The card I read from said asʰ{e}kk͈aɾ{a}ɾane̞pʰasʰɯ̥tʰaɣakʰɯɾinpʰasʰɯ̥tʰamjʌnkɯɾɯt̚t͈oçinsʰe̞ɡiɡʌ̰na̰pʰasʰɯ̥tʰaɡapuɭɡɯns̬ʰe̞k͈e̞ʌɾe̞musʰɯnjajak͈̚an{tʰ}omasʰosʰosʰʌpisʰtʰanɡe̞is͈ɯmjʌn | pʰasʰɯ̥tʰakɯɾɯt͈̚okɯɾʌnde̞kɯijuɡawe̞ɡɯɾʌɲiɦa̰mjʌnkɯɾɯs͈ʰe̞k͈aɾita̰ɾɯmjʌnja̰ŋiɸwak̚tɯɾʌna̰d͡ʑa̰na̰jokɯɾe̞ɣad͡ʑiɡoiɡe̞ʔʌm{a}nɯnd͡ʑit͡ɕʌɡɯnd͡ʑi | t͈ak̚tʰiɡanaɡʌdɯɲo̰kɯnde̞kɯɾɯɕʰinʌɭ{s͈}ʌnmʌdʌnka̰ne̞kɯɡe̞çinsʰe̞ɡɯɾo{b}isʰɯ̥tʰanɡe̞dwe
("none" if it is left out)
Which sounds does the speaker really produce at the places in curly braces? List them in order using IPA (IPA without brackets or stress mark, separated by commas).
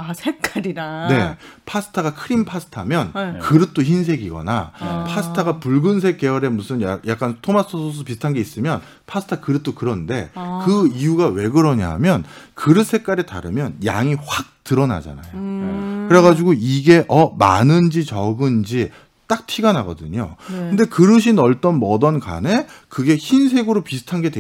e, i, tʰ, a, t͈, p